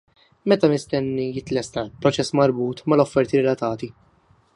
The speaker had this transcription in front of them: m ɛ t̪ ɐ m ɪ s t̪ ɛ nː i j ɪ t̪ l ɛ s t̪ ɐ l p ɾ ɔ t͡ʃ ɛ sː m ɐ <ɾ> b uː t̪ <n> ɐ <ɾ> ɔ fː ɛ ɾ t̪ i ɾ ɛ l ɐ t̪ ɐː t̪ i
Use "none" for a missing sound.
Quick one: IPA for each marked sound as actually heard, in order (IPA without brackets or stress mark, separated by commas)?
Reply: ɾ, m, l